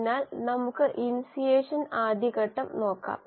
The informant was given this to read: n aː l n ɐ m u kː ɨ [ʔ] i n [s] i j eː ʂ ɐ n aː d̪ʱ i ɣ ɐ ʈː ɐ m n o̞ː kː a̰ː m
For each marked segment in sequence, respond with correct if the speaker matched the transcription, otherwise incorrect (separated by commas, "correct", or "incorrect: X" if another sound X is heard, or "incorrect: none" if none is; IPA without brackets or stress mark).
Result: correct, correct